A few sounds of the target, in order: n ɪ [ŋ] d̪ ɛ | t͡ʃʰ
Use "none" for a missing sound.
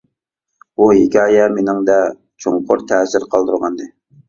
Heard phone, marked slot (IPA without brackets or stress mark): ŋ